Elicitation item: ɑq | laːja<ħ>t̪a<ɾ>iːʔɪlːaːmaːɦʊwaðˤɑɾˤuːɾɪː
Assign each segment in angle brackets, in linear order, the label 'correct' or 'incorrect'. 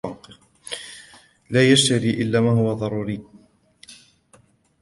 incorrect: ʃ, correct

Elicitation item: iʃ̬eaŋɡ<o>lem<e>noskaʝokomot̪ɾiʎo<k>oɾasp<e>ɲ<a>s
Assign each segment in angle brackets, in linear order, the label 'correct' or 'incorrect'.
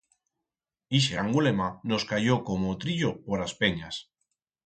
incorrect: u, incorrect: a, incorrect: p, correct, correct

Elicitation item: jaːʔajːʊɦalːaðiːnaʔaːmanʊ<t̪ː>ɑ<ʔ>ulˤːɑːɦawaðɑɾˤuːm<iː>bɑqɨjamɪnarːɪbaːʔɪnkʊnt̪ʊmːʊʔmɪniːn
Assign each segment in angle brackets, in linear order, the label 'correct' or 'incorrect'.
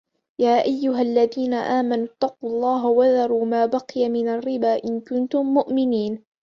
correct, incorrect: q, incorrect: aː

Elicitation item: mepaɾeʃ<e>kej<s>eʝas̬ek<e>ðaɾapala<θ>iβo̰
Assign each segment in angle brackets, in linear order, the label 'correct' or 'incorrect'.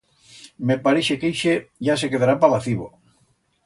correct, incorrect: ʃ, correct, correct

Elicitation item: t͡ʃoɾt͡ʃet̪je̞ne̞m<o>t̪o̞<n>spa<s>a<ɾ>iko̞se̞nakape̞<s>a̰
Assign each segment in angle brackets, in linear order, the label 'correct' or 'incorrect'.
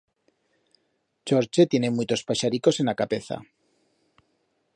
incorrect: u, incorrect: none, incorrect: ʃ, correct, incorrect: θ

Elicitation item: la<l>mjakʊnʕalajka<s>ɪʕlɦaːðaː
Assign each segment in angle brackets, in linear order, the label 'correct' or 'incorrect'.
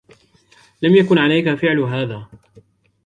incorrect: none, incorrect: f

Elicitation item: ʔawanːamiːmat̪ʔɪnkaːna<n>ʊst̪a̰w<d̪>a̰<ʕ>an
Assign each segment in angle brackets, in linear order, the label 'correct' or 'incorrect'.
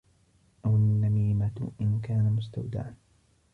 incorrect: m, correct, correct

